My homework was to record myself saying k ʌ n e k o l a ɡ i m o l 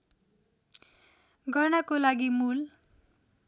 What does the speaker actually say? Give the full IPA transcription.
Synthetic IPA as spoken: ɡ ʌ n a k o l a ɡ i m u l